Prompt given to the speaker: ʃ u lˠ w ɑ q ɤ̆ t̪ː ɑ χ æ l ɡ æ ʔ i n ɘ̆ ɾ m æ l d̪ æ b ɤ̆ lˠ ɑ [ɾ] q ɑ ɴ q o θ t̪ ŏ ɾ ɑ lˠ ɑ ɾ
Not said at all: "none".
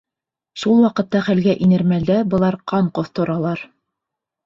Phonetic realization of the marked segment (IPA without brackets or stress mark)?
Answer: ɾ